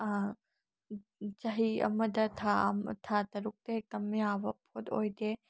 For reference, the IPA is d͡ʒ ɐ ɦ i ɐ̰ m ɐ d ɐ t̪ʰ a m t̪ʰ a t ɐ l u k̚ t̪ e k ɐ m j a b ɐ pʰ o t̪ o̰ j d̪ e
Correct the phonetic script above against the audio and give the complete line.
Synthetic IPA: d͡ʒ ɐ ɦ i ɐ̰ m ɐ d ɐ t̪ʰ a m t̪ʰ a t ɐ ɾ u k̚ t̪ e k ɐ m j a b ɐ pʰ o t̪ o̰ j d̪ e